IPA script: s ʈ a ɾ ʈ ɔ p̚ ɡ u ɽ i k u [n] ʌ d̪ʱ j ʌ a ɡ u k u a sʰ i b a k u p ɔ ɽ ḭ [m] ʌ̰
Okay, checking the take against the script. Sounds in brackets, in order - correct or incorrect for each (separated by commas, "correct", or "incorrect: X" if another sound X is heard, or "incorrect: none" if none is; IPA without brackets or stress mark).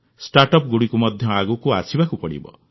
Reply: incorrect: m, incorrect: b